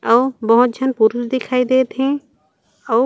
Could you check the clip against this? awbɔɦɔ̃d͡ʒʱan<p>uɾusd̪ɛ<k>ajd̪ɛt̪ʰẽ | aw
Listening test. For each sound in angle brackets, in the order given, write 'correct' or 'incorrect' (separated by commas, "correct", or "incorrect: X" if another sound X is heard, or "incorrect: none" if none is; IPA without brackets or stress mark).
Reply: correct, incorrect: kʰ